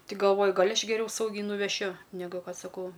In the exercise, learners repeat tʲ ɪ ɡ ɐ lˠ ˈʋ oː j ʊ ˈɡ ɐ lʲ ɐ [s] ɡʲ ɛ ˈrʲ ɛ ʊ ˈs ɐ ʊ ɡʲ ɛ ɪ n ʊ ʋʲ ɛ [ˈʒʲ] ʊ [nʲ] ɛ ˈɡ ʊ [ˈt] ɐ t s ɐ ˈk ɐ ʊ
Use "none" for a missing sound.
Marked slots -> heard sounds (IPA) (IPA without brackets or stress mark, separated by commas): ʃ, ʃʲ, nʲ, k